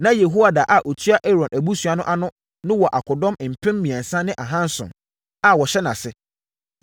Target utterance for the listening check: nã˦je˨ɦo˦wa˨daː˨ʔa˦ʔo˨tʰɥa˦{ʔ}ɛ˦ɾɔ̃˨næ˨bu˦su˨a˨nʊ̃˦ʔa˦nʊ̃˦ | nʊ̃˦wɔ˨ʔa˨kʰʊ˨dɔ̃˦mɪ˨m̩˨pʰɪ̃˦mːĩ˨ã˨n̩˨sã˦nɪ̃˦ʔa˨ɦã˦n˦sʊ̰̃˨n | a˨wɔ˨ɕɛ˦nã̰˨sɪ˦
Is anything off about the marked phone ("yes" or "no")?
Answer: no